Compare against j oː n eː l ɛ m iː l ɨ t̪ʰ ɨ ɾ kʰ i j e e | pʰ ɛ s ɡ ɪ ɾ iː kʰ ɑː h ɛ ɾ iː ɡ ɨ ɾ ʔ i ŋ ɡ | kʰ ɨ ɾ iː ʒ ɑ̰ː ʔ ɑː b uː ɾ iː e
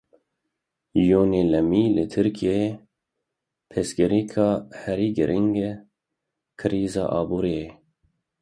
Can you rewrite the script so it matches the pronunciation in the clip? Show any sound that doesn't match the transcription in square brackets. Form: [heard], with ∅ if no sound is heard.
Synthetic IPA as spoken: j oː n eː l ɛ m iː l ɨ t̪ʰ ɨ ɾ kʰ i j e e | pʰ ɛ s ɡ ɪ ɾ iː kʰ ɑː h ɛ ɾ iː ɡ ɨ ɾ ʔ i ŋ ɡ | kʰ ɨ ɾ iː [z] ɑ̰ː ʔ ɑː b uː ɾ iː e